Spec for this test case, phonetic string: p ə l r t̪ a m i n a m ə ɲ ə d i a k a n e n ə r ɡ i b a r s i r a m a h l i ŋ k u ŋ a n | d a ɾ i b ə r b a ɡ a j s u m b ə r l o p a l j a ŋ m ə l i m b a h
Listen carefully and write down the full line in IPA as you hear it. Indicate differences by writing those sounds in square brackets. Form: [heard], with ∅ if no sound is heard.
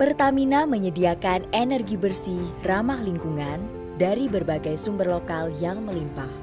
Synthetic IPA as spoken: p ə [∅] r t̪ a m i n a m ə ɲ ə d i a k a n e n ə r ɡ i b [ə] r s i r a m a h l i ŋ k u ŋ a n | d a ɾ i b ə r b a ɡ a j s u m b ə r l o [k] a l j a ŋ m ə l i m [p] a h